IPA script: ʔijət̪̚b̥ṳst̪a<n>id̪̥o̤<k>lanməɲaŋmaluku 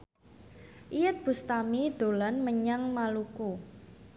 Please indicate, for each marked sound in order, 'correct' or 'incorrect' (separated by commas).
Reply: incorrect, incorrect